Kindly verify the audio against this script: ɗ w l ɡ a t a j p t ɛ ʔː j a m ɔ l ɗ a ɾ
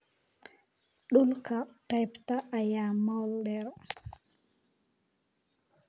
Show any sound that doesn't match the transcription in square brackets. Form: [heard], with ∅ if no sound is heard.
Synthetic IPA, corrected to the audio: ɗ [u] l [k] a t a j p t [a] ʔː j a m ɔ l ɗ [ɛ] ɾ